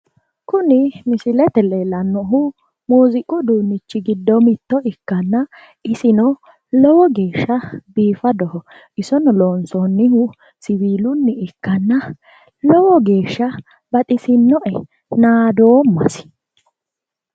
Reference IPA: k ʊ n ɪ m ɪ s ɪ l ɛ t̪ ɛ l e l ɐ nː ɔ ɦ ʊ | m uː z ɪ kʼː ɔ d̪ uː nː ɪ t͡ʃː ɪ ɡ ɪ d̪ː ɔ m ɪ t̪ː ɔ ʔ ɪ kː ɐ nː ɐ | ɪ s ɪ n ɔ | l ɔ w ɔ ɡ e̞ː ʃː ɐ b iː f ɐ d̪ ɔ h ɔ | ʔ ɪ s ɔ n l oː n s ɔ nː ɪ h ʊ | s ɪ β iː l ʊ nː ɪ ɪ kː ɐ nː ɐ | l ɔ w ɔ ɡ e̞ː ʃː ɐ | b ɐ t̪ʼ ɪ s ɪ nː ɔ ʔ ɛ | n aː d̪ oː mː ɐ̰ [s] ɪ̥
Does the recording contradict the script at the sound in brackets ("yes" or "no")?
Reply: no